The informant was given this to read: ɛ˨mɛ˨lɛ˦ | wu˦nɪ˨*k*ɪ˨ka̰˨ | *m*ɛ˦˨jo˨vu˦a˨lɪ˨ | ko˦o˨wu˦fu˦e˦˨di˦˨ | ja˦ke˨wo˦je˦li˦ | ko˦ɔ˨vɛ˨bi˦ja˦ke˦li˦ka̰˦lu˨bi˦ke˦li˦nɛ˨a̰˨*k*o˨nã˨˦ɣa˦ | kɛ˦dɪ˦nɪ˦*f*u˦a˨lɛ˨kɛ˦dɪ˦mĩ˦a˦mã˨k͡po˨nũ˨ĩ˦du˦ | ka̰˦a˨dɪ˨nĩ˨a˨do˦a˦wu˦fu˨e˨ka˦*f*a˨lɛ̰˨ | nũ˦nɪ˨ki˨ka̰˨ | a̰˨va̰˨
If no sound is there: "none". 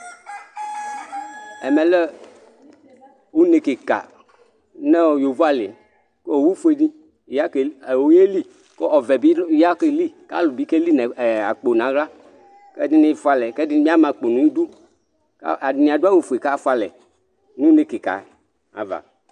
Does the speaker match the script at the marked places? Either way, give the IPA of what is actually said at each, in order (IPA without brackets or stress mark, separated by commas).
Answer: k, n, k͡p, f, f